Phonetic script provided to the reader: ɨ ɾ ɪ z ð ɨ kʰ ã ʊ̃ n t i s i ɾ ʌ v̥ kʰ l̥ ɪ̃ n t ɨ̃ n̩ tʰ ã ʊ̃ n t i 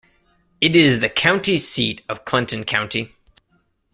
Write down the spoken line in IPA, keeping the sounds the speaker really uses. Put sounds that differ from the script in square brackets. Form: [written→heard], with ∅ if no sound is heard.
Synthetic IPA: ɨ ɾ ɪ z ð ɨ kʰ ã ʊ̃ n t i s i ɾ ʌ v̥ kʰ l̥ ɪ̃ n t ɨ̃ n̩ [tʰ→kʰ] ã ʊ̃ n t i